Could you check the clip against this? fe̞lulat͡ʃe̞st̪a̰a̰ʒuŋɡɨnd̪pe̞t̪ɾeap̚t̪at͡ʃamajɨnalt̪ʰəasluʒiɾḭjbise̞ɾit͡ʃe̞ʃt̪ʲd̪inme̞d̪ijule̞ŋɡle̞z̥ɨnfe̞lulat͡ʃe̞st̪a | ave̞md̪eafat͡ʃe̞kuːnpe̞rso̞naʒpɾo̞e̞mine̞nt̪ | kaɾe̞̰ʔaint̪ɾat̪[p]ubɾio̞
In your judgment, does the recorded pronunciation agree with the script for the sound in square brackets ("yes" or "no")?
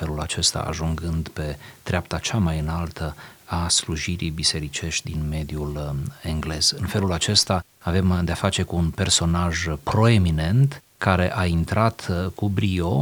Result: no